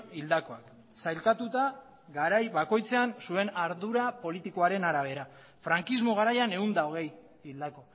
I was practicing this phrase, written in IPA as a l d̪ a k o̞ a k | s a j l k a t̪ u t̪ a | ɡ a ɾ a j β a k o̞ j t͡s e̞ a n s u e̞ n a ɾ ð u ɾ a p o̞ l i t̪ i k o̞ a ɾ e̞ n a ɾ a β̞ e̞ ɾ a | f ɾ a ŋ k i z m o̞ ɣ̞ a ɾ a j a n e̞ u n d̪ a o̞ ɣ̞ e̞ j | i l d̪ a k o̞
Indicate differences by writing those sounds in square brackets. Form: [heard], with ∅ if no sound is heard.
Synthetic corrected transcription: [i] l d̪ a k o̞ a k | s a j l k a t̪ u t̪ a | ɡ a ɾ a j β a k o̞ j t͡s e̞ a n s u e̞ n a ɾ ð u ɾ a p o̞ l i t̪ i k o̞ a ɾ e̞ n a ɾ a β̞ e̞ ɾ a | f ɾ a ŋ k i z m o̞ ɣ̞ a ɾ a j a n e̞ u n d̪ a o̞ ɣ̞ e̞ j | i l d̪ a k o̞